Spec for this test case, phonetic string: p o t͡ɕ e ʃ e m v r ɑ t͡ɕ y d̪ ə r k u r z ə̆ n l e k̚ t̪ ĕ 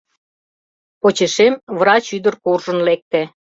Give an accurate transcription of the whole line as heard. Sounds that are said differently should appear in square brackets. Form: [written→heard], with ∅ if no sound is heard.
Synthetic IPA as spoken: p o t͡ɕ e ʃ e m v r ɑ t͡ɕ y d̪ ə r k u r [z→ʒ] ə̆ n l e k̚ t̪ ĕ